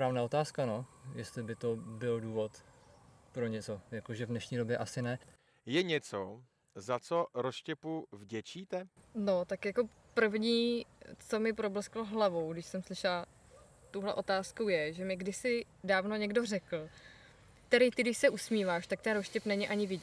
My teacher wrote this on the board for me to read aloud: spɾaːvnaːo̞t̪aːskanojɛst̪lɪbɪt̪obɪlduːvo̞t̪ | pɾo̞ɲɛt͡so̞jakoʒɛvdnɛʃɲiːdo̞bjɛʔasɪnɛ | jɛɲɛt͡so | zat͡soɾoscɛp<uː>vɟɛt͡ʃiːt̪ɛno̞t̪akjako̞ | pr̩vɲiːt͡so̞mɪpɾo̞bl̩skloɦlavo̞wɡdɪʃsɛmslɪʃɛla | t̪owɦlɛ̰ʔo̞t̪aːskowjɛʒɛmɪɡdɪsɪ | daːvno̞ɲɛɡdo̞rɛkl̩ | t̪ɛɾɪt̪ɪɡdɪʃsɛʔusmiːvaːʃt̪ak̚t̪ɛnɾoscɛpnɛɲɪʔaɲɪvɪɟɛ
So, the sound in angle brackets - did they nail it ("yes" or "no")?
no